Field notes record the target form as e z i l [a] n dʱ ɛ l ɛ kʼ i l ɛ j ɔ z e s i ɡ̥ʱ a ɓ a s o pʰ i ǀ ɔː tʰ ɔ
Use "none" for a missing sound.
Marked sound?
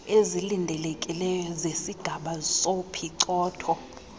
i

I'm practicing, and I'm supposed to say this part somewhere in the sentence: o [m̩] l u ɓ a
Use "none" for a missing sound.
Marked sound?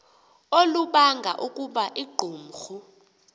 none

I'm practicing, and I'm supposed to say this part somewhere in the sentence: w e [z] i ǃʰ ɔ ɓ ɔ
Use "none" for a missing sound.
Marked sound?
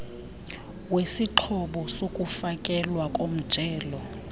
s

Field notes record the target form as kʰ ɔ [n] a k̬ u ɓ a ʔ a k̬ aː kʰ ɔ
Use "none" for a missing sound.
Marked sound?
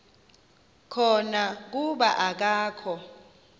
n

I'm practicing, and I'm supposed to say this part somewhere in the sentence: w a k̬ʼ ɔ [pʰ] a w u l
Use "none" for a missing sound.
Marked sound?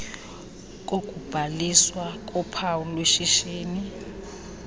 pʰ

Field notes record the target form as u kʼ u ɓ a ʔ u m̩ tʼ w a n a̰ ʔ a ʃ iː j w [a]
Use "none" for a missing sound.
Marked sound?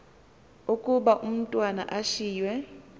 ɛ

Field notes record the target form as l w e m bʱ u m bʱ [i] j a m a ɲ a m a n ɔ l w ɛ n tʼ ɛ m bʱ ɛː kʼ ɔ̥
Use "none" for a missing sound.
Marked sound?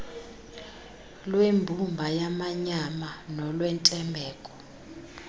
a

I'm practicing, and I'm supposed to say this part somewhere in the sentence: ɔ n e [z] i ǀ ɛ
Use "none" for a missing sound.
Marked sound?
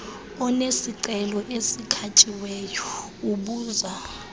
s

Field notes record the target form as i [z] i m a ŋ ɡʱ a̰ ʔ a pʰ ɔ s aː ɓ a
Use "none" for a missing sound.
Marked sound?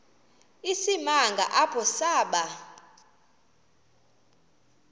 s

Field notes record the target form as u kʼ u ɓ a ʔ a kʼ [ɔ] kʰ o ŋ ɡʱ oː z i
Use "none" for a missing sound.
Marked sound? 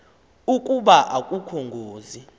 u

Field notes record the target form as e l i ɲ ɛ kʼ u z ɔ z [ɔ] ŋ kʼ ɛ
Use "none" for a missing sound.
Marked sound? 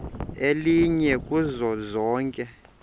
ɔː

